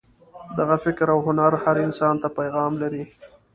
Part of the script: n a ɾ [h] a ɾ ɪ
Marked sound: correct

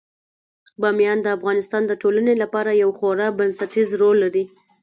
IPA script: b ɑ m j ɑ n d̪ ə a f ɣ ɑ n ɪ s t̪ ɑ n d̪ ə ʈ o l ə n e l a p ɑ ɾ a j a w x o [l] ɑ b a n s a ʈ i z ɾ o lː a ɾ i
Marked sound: incorrect: ɾ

